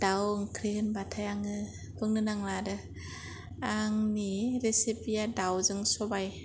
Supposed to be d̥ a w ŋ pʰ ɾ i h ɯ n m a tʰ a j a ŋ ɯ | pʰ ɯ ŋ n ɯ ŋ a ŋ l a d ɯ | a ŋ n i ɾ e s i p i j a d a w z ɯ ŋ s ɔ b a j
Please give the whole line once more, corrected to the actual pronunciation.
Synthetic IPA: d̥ a w ŋ kʰ ɾ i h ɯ n b a tʰ a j a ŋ ɯ | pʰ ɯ ŋ n ɯ n a ŋ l a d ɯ | a ŋ n i ɾ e s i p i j a d a w z ɯ ŋ s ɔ b a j